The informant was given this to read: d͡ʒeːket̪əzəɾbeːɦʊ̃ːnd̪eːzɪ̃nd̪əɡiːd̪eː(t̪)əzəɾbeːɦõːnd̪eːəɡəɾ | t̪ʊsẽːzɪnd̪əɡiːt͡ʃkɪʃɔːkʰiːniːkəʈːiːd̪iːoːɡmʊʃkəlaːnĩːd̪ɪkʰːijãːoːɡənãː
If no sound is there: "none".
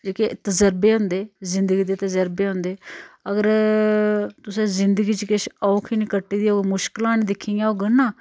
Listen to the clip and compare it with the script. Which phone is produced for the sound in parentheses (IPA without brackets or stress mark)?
t̪